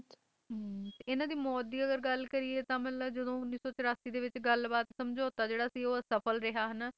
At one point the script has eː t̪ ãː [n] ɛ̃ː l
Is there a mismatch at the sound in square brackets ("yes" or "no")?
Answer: yes